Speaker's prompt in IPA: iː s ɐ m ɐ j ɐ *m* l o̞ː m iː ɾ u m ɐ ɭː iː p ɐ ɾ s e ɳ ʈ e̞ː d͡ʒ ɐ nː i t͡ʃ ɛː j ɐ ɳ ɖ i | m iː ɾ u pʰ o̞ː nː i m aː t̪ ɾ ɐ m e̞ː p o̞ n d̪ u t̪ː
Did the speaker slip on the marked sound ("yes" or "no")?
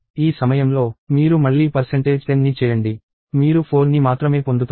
no